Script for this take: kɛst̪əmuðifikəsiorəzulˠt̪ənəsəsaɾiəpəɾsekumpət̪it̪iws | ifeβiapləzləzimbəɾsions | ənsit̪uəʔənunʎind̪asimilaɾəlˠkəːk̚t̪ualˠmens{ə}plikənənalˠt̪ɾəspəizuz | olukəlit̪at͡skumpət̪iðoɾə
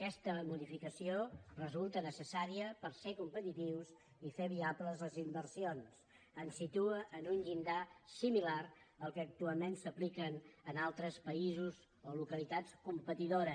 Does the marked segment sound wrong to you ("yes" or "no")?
no